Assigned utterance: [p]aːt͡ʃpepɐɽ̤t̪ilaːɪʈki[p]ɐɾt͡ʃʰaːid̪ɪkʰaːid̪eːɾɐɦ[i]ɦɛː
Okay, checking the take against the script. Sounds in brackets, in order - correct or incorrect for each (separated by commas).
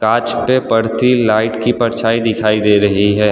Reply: incorrect, correct, correct